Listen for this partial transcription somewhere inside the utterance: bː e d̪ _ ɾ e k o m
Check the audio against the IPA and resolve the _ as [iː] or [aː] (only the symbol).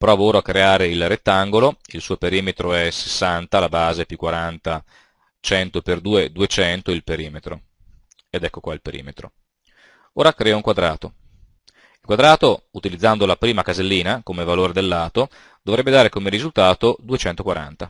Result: aː